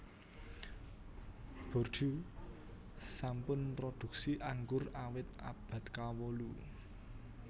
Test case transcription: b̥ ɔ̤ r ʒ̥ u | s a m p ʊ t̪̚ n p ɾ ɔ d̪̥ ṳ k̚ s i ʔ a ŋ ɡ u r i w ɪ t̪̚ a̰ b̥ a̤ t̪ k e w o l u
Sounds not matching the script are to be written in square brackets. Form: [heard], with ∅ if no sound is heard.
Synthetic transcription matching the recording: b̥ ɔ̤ r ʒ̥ u | s a m p ʊ [∅] n p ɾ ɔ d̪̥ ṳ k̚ s i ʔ a ŋ ɡ [ʊ] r [a] w ɪ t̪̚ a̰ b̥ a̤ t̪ k [a] w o l u